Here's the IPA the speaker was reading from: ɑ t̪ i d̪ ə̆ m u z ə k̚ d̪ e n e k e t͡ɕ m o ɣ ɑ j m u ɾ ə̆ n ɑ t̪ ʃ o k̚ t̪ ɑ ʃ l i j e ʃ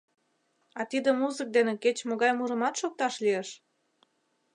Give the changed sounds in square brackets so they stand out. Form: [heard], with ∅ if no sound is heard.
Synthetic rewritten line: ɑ t̪ i d̪ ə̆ m u z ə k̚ d̪ e n e k e t͡ɕ m o ɣ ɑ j m u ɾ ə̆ [m] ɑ t̪ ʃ o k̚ t̪ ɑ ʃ l i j e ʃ